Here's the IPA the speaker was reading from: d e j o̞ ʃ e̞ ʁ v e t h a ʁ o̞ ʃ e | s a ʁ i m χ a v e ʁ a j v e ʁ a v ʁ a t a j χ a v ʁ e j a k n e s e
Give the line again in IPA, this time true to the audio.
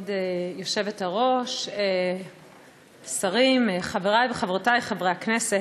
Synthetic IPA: d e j o̞ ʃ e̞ v e t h a ʁ o̞ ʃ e | s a ʁ i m χ a v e ʁ a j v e χ a v ʁ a t a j χ a v ʁ e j a k n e s e